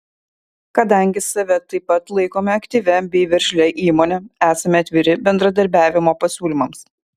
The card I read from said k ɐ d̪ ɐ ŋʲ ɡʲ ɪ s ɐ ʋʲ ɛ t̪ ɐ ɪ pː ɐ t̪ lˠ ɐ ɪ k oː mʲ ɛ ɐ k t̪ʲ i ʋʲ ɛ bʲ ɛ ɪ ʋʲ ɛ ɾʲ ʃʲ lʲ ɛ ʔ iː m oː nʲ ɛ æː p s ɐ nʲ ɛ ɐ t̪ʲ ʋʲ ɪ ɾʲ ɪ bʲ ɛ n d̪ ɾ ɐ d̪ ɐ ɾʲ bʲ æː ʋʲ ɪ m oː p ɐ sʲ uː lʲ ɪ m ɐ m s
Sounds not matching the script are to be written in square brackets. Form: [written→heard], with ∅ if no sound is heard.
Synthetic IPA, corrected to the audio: k ɐ d̪ ɐ ŋʲ ɡʲ ɪ s ɐ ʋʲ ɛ t̪ ɐ ɪ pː ɐ t̪ lˠ ɐ ɪ k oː mʲ ɛ ɐ k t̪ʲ i ʋʲ ɛ bʲ ɛ ɪ ʋʲ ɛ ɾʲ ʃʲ lʲ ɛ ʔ iː m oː nʲ ɛ æː [p→∅] s ɐ [nʲ→mʲ] ɛ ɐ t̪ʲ ʋʲ ɪ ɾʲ ɪ bʲ ɛ n d̪ ɾ ɐ d̪ ɐ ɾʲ bʲ æː ʋʲ ɪ m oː p ɐ sʲ uː lʲ ɪ m ɐ m s